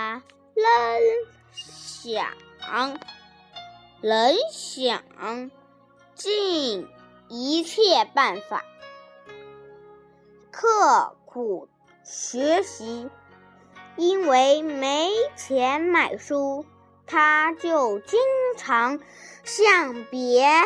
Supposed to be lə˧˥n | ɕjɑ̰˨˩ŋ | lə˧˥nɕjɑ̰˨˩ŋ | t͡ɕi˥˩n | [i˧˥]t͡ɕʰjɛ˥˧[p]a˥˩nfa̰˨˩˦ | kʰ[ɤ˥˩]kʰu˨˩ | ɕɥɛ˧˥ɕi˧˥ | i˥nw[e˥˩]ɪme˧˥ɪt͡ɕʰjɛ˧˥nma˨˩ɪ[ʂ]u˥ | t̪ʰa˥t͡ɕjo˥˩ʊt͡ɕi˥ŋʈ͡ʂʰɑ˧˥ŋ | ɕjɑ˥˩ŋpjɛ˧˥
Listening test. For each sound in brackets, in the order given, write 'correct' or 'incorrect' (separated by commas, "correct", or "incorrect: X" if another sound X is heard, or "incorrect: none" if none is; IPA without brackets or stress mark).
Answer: correct, correct, correct, incorrect: e˧˥, correct